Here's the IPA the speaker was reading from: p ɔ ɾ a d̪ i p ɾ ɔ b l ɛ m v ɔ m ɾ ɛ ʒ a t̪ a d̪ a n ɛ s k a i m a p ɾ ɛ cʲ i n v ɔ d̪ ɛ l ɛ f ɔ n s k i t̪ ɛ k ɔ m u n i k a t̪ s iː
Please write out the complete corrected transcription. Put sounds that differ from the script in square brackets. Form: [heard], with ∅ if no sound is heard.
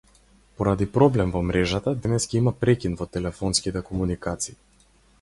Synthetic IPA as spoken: p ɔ ɾ a d̪ i p ɾ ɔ b l ɛ m v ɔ m ɾ ɛ ʒ a t̪ a d̪ [ɛ] n ɛ s k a i m a p ɾ ɛ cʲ i n v ɔ [t̪] ɛ l ɛ f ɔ n s k i t̪ ɛ k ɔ m u n i k a t̪ s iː